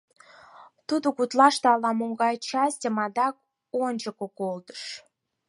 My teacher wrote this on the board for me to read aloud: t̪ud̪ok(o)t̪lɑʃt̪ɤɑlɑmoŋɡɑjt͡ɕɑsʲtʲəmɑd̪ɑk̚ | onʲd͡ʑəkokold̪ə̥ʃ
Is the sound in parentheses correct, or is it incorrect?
incorrect